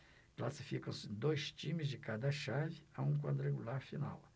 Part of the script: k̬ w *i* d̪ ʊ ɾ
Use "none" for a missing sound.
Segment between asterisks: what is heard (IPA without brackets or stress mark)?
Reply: a